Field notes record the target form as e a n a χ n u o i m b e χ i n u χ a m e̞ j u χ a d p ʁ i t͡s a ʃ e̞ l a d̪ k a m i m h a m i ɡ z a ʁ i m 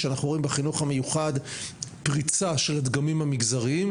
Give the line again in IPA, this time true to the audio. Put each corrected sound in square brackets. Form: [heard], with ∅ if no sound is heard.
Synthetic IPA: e a n a χ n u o i m b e χ i n u χ a m e̞ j u χ a d p ʁ i t͡s a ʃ e̞ l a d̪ [ɡ] a m i m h a m i ɡ z a ʁ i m